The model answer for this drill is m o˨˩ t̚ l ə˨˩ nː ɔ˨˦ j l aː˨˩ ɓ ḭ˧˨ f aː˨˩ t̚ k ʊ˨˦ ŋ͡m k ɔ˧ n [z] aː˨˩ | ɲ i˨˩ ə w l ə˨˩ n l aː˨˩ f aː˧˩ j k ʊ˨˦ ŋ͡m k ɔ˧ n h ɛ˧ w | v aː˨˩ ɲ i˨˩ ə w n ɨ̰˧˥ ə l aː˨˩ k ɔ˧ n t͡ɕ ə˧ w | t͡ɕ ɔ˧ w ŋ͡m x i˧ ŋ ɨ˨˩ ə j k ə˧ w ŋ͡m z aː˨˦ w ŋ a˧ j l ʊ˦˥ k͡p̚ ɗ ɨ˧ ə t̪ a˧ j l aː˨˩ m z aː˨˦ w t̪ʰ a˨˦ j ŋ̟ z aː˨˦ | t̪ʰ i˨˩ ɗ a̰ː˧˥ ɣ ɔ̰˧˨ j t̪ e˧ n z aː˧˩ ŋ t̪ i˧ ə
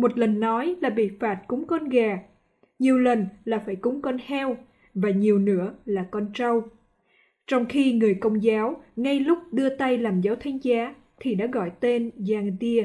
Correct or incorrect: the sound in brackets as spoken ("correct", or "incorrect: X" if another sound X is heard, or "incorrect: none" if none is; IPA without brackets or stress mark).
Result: incorrect: ɣ